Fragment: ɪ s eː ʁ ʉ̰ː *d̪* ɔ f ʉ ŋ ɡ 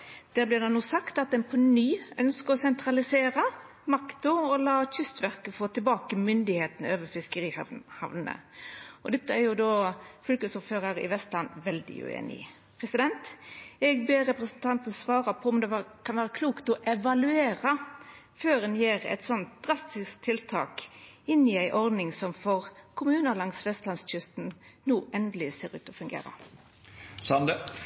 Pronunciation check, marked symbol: incorrect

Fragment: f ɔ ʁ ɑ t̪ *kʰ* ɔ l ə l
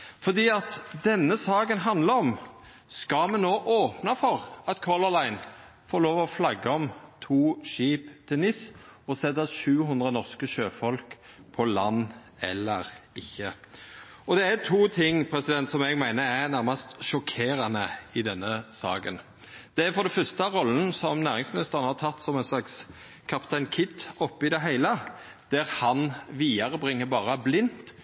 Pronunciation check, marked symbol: correct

